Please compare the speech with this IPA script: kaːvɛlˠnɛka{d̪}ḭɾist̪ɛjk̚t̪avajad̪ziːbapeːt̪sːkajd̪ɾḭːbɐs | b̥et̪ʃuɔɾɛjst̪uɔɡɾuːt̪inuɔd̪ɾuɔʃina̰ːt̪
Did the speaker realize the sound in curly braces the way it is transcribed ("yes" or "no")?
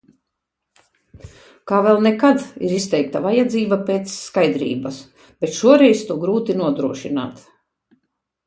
yes